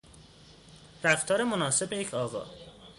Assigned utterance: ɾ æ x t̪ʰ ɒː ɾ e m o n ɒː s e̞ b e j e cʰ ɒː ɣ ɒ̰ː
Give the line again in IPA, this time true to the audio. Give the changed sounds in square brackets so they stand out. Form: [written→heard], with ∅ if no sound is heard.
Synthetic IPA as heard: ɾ æ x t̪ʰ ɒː ɾ e m o n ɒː s e̞ b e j e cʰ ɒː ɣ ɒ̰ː

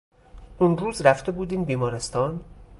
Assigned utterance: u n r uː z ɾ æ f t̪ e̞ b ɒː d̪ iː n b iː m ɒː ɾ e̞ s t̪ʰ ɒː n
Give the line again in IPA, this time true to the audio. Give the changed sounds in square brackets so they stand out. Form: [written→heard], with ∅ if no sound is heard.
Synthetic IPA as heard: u n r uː z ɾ æ f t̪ e̞ b [ɒː→uː] d̪ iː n b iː m ɒː ɾ e̞ s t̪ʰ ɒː n

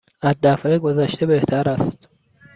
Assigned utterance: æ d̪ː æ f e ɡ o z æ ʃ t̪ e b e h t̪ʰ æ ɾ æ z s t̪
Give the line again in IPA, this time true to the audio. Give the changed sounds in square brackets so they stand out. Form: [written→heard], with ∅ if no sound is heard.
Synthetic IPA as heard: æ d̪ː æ f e ɡ o z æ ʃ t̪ e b e h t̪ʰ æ ɾ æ [z→∅] s t̪

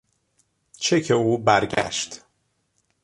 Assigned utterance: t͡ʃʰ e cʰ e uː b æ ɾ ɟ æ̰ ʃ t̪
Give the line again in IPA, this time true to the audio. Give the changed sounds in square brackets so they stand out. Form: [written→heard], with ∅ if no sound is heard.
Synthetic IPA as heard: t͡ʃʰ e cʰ e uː b æ ɾ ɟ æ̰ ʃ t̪

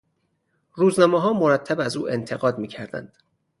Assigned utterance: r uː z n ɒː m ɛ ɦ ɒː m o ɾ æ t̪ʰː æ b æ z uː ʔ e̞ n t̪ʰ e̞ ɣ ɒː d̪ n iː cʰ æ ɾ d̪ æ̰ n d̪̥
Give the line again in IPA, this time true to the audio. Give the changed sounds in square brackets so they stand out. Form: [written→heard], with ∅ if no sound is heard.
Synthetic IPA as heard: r uː z n ɒː m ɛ ɦ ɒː m o ɾ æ t̪ʰː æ b æ z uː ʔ e̞ n t̪ʰ e̞ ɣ ɒː d̪ [n→m] iː cʰ æ ɾ d̪ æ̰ n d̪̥

